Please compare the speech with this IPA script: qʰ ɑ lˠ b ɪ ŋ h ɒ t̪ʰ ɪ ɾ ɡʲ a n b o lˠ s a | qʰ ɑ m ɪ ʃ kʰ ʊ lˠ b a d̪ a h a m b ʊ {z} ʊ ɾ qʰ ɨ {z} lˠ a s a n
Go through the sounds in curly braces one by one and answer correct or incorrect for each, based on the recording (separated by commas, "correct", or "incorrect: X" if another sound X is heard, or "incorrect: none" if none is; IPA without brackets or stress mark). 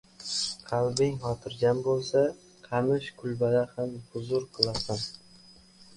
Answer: correct, incorrect: none